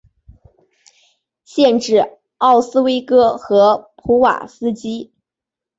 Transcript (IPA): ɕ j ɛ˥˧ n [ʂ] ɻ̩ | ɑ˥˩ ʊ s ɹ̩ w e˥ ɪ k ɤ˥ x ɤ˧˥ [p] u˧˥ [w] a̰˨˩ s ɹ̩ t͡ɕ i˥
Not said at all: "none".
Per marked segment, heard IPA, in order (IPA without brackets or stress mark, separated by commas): ʈ͡ʂ, pʰ, w